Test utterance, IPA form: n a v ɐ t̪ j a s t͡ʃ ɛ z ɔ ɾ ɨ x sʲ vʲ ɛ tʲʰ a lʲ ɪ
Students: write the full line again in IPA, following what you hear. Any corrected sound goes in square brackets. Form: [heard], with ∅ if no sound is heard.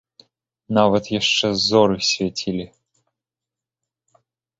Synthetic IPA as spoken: n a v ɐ t̪ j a [ʂ] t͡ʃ ɛ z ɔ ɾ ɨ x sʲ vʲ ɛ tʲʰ [i] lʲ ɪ